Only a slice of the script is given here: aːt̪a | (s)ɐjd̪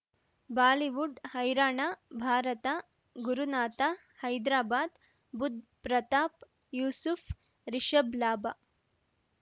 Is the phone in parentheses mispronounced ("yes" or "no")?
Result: yes